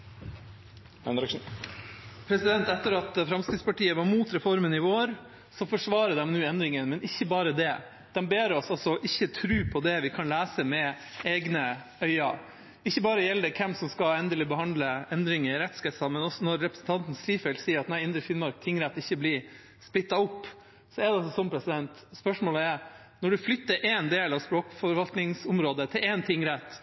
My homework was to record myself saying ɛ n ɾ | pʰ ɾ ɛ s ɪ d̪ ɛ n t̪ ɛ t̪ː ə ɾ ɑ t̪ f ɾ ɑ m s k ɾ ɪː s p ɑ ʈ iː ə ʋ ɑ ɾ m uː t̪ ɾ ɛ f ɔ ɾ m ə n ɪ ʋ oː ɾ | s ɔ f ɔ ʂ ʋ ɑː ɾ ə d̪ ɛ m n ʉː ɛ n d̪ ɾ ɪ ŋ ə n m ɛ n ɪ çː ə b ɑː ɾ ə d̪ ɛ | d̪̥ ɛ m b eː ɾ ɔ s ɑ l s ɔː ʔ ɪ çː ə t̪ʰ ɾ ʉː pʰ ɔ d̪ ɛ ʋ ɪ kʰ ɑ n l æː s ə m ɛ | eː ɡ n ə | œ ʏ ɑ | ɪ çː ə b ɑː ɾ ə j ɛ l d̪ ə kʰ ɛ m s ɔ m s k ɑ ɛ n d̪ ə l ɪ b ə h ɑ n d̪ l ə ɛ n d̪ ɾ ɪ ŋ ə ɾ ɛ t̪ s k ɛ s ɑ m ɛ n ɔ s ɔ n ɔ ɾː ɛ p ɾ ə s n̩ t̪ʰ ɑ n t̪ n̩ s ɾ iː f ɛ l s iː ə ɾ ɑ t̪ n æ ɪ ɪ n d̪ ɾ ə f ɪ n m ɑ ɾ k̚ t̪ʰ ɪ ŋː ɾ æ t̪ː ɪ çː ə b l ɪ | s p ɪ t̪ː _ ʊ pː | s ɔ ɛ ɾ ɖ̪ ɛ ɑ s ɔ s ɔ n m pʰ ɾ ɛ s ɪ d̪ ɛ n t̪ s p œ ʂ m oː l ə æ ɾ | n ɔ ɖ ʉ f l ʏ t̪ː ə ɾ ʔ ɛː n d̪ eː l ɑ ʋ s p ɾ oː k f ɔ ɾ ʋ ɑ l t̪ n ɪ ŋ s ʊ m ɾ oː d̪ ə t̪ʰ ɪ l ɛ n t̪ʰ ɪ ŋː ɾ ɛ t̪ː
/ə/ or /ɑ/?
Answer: ɑ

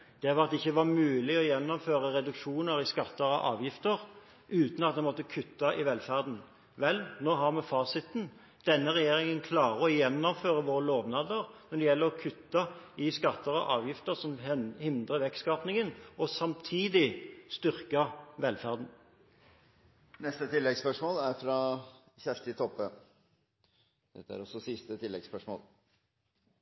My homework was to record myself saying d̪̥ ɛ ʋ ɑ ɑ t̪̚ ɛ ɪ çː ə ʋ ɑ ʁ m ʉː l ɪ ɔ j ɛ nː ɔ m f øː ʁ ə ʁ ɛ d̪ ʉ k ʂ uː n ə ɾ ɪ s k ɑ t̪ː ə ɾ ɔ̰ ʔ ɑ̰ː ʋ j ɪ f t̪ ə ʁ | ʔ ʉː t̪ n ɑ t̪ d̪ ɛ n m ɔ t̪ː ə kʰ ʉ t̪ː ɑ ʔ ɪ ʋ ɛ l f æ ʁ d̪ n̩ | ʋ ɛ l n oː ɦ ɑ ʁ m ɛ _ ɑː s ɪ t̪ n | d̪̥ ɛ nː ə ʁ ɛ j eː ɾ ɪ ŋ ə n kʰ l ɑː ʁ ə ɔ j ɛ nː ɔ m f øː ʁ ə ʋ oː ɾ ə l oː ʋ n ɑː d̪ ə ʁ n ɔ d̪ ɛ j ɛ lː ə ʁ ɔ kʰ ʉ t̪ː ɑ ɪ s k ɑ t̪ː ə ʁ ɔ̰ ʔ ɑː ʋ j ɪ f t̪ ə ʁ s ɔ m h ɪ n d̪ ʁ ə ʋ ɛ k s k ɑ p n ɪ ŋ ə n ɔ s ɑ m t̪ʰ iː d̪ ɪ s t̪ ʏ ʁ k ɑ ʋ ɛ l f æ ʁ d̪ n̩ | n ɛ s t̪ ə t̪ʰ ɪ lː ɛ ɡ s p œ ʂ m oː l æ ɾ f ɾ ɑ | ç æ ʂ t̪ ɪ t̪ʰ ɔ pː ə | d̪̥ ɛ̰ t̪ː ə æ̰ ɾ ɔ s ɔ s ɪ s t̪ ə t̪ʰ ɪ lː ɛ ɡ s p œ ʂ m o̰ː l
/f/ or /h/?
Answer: f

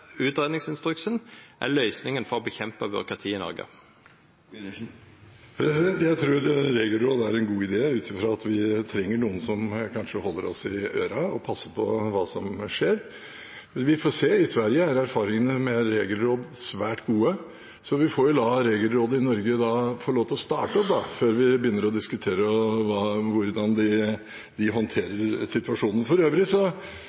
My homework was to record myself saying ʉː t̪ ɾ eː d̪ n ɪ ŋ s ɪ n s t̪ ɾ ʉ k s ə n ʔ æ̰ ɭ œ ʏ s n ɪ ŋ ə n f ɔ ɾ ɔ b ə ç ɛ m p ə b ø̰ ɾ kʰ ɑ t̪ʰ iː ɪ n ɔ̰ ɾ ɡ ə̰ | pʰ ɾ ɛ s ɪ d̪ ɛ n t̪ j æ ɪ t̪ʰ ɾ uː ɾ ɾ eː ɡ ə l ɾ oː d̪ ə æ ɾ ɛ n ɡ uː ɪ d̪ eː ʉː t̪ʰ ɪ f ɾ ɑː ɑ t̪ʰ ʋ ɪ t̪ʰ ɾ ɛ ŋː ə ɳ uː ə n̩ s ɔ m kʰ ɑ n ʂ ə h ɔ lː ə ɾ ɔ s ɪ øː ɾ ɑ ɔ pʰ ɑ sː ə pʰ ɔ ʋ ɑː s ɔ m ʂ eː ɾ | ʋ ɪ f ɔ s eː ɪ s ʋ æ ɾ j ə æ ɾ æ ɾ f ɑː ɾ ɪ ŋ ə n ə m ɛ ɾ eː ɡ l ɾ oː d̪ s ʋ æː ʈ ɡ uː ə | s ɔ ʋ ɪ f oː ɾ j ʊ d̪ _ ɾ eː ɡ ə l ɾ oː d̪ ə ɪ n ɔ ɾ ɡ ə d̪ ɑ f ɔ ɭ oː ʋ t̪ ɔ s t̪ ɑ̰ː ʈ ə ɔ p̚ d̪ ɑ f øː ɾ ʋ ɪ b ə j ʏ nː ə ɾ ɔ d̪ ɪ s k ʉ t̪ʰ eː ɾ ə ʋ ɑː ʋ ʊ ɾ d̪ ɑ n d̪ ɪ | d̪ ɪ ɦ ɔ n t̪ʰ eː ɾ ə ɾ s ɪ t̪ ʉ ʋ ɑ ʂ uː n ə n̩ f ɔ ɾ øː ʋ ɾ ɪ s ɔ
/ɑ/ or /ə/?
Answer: ɑ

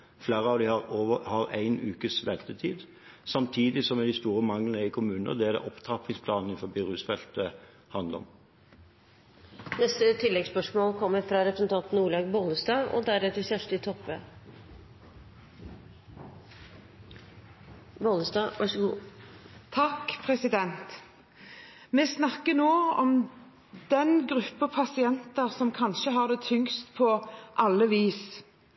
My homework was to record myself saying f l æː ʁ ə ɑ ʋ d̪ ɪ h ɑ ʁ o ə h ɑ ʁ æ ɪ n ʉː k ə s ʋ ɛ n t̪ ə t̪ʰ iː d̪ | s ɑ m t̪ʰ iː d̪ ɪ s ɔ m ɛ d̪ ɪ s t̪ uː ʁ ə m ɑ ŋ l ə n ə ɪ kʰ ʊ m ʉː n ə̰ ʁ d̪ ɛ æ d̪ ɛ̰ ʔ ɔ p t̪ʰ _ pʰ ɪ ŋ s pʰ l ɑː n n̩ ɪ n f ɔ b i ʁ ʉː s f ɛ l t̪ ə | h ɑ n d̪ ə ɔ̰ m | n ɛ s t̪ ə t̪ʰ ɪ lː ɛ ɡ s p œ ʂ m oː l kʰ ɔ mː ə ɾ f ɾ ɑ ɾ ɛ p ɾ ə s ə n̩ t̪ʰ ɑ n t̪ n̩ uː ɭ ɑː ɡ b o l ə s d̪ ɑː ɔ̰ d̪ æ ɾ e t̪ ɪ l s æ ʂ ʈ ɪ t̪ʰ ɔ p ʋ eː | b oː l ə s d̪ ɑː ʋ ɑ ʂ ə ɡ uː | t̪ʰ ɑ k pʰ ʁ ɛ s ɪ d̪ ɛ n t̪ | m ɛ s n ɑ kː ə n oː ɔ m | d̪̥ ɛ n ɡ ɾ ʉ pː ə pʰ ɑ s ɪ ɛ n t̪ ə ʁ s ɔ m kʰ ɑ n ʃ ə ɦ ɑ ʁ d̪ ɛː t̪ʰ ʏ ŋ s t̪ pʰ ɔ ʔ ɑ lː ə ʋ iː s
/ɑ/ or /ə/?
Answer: ɑ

